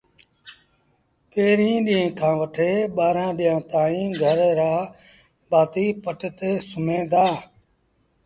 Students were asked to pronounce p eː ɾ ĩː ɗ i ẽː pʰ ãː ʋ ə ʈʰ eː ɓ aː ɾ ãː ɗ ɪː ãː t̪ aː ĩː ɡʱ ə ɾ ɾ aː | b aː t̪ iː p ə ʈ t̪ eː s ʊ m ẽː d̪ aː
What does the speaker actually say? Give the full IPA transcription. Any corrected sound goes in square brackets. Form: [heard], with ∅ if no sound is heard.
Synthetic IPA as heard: p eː ɾ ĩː ɗ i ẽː [kʰ] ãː ʋ ə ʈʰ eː ɓ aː ɾ ãː ɗ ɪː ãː t̪ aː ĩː ɡʱ ə ɾ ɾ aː | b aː t̪ iː p ə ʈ t̪ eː s ʊ m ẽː d̪ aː